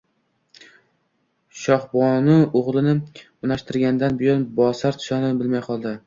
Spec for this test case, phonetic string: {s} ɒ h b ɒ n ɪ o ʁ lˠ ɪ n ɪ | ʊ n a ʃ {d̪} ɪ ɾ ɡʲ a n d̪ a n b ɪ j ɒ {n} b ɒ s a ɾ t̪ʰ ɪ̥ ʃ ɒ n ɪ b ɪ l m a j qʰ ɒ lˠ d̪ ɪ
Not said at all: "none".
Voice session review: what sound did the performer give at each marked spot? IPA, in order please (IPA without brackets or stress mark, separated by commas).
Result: ʃ, t̪, n